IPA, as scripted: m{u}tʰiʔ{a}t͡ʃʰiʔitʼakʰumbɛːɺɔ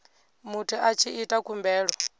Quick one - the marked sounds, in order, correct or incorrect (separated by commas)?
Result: correct, correct